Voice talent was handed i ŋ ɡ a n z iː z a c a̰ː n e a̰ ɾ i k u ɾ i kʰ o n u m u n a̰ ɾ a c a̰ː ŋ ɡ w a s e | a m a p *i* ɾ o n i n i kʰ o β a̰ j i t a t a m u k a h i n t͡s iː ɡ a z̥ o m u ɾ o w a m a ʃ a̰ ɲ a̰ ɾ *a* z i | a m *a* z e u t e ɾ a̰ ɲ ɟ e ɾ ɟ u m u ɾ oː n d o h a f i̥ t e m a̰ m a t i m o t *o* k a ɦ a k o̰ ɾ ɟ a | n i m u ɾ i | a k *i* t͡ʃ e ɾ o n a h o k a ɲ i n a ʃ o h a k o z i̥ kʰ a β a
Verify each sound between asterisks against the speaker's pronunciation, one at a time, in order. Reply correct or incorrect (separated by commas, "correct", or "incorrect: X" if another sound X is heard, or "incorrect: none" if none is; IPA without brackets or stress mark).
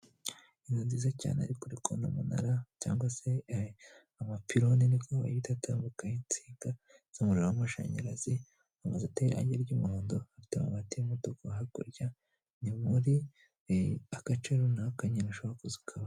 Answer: correct, correct, correct, correct, incorrect: a